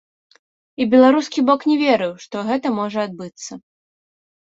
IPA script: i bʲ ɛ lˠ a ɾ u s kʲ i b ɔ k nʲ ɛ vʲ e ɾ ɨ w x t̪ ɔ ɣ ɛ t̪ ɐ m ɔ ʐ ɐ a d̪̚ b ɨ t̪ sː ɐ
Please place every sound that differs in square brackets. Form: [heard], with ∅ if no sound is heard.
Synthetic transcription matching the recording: i bʲ ɛ lˠ a ɾ u s kʲ i b ɔ k nʲ ɛ vʲ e ɾ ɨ w [ʂ] t̪ ɔ ɣ ɛ t̪ ɐ m ɔ ʐ ɐ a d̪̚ b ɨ t̪ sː ɐ